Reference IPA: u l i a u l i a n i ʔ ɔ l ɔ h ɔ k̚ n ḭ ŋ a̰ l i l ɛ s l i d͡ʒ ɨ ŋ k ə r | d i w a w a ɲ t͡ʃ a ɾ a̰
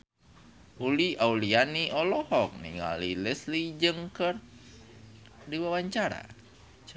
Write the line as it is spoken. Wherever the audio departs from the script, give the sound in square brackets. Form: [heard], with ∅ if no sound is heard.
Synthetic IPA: u l i a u l i a n i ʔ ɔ l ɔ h ɔ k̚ n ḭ ŋ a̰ l i l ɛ s l i d͡ʒ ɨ ŋ k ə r | d i w a w a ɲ t͡ʃ a ɾ a̰

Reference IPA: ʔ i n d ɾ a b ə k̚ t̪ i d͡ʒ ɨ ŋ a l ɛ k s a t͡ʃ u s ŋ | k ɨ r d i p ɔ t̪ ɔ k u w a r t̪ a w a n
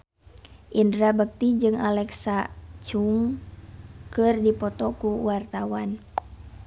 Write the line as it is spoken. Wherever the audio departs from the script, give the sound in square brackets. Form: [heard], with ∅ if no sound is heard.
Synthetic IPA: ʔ i n d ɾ a b ə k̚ t̪ i d͡ʒ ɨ ŋ a l ɛ k s a t͡ʃ u [∅] ŋ | k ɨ r d i p ɔ t̪ ɔ k u w a r t̪ a w a n

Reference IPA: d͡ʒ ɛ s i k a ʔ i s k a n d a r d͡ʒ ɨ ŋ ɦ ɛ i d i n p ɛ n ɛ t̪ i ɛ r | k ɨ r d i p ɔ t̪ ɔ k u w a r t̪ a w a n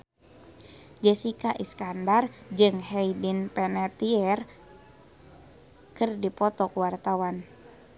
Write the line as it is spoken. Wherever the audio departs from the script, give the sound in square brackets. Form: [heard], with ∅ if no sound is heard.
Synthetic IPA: d͡ʒ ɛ s i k a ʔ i s k a n d a r d͡ʒ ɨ ŋ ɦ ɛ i d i n p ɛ n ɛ t̪ i ɛ r | k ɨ r d i p ɔ t̪ ɔ k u w a r t̪ a w a n

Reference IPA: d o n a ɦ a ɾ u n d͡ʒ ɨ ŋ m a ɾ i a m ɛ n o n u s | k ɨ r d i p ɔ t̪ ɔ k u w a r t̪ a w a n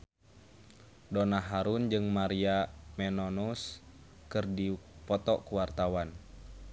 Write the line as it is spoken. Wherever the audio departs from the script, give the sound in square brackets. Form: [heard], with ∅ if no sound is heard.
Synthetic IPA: d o n a ɦ a ɾ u n d͡ʒ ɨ ŋ m a ɾ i a m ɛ n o n u s | k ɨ r d i p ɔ t̪ ɔ k u w a r t̪ a w a n

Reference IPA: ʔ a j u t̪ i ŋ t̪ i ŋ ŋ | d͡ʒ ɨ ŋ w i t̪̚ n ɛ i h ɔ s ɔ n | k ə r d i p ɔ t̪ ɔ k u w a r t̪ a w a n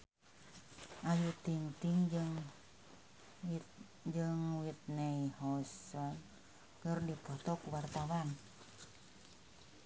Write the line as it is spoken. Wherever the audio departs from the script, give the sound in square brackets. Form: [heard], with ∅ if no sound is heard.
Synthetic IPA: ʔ a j u t̪ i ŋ t̪ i ŋ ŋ | d͡ʒ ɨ ŋ w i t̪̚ n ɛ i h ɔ s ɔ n | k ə r d i p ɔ t̪ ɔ k u w a r t̪ a w a n

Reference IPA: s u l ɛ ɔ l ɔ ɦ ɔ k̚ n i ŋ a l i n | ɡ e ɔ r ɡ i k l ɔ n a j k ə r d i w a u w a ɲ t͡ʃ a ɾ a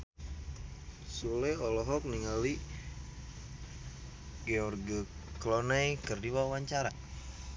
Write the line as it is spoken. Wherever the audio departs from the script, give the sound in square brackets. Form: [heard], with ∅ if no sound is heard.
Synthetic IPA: s u l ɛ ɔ l ɔ ɦ ɔ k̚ n i ŋ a l i [∅] | ɡ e ɔ r ɡ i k l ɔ n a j k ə r d i w a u w a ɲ t͡ʃ a ɾ a

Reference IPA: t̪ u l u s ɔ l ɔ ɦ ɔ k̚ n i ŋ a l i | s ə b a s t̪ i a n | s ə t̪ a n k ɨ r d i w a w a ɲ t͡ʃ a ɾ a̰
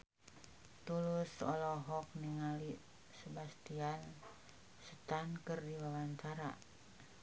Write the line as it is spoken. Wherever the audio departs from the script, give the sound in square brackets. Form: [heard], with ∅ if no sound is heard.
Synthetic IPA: t̪ u l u s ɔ l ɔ ɦ ɔ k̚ n i ŋ a l i | s ə b a s t̪ i a n | s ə t̪ a n k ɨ r d i w a w a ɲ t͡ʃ a ɾ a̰

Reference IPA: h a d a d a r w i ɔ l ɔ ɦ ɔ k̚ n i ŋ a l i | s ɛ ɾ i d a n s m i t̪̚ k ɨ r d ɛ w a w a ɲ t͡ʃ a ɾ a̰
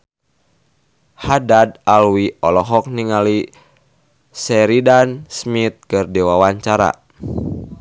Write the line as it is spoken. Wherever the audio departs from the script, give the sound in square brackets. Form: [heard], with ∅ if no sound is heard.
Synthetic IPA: h a d a d a [l] w i ɔ l ɔ ɦ ɔ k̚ n i ŋ a l i | s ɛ ɾ i d a n s m i t̪̚ k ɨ r d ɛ w a w a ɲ t͡ʃ a ɾ a̰

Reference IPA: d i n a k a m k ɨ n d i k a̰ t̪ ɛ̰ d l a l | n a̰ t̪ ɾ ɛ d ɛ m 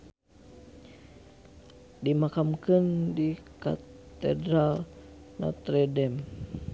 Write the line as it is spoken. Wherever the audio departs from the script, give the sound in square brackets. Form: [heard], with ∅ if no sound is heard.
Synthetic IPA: d i [m] a k a m k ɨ n d i k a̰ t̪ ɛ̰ d [ɾ] a l | n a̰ t̪ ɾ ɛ d ɛ m

